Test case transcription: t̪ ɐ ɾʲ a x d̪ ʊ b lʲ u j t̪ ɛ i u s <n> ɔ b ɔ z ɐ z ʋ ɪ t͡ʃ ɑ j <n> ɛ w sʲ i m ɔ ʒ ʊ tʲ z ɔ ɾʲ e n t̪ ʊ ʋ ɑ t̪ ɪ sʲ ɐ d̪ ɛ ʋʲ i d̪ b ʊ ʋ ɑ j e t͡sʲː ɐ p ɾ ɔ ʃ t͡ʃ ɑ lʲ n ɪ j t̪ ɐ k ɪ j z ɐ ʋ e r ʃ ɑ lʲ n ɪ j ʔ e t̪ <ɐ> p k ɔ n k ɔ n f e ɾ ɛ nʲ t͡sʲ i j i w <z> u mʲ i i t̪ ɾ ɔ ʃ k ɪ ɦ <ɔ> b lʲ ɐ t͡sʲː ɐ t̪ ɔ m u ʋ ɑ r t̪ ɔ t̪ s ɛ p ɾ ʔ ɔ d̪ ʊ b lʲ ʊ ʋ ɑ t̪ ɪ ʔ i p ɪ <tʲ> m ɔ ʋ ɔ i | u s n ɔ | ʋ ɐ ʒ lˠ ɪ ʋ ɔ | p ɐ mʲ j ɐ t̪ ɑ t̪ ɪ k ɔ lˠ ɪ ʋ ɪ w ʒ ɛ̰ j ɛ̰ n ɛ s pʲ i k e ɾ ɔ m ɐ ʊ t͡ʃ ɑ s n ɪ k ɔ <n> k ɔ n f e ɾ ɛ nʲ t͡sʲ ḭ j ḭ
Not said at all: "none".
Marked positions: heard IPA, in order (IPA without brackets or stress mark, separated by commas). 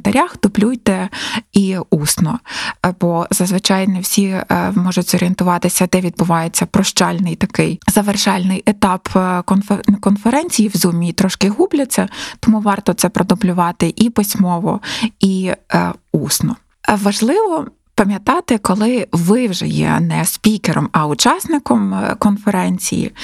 n, n, ɑ, z, u, sʲ, m